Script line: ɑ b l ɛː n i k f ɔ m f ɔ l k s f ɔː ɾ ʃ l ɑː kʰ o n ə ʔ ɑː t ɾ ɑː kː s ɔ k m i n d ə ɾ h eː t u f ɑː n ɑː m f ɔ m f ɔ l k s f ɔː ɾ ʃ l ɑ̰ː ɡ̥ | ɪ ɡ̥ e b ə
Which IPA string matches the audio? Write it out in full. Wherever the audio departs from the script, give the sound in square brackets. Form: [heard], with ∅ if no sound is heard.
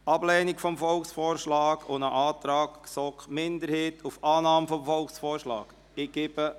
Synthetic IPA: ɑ b l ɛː n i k f ɔ m f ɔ l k s f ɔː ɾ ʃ l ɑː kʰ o n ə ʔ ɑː t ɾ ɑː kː s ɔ k m [ɪ] n d ə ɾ h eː t u f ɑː n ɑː m f ɔ m f ɔ l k s f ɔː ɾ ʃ l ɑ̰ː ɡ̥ | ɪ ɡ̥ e b ə